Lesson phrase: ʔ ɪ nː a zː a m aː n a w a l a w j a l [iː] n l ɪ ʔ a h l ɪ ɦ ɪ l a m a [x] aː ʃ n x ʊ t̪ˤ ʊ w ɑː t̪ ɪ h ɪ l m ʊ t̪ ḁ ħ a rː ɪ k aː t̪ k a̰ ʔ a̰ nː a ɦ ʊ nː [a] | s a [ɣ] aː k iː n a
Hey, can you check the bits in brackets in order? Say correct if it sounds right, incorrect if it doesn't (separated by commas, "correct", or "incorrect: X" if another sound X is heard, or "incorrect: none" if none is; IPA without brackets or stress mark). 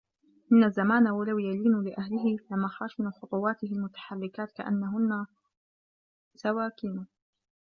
correct, correct, correct, incorrect: w